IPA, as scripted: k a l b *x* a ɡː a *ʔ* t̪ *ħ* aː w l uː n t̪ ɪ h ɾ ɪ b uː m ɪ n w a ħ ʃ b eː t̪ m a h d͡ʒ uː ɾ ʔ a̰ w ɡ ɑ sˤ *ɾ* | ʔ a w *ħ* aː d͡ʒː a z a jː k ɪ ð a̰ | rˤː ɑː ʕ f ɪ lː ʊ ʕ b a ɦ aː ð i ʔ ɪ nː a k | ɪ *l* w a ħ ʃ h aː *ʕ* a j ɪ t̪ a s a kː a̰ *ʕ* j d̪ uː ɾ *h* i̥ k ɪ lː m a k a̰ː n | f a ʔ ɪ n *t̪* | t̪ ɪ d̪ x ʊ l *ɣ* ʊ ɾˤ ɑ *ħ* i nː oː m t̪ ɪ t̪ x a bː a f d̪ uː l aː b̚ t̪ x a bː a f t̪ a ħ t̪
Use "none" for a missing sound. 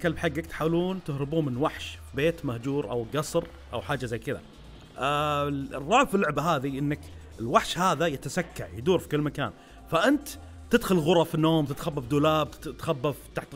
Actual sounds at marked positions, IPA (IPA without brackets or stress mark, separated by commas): ħ, k, ħ, ɾ, ħ, l, ð, ʕ, f, t̪, ɣ, f